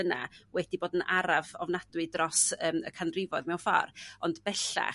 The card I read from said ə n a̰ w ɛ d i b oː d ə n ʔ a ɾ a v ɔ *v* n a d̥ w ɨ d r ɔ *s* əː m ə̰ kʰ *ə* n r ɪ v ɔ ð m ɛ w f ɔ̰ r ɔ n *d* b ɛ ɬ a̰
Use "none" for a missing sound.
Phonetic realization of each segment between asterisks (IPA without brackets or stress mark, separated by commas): v, s, a, d